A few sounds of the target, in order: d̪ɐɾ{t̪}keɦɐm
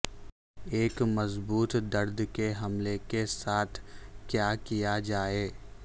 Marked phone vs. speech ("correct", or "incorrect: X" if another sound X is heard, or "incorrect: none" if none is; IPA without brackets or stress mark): incorrect: d̪